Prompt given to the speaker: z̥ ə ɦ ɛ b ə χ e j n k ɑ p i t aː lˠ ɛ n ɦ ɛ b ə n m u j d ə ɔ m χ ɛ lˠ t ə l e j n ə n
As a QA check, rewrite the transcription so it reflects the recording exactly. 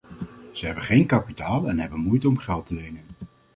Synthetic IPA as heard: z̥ ə ɦ ɛ b ə χ e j n k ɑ p i t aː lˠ ɛ n ɦ ɛ b ə n m u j t ə ɔ m χ ɛ lˠ t ə l e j n ə n